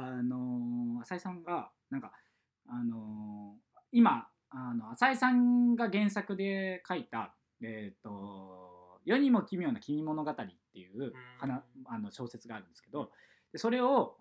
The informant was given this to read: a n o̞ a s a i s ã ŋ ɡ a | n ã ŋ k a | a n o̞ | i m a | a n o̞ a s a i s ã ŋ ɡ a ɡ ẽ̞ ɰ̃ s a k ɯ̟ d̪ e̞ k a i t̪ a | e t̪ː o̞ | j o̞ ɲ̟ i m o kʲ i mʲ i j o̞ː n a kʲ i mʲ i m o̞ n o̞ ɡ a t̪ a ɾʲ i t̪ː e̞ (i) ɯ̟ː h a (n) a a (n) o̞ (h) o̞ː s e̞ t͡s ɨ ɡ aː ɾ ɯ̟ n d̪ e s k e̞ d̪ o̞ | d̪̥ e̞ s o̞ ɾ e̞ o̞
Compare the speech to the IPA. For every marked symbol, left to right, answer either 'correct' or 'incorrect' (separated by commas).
incorrect, correct, correct, incorrect